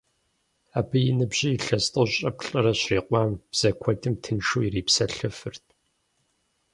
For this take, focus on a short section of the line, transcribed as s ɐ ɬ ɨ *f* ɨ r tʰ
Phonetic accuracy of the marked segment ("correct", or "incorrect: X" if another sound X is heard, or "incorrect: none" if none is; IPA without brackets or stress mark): correct